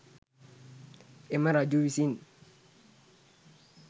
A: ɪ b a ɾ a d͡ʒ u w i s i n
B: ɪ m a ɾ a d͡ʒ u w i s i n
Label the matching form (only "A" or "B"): B